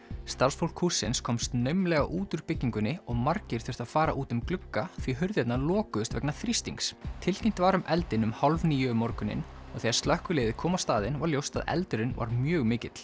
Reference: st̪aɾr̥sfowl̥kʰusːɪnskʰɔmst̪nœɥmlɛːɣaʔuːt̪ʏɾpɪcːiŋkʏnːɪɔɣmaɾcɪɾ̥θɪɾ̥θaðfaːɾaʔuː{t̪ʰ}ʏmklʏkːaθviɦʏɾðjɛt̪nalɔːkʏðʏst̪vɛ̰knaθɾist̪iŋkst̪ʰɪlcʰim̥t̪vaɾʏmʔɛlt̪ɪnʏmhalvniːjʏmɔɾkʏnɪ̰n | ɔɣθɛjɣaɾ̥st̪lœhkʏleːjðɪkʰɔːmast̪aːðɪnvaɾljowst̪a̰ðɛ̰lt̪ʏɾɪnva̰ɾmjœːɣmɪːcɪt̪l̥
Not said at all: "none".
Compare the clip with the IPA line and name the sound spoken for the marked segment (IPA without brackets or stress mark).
t̪